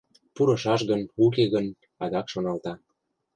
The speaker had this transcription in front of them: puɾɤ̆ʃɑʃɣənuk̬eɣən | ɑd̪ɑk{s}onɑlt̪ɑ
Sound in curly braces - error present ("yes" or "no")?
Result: yes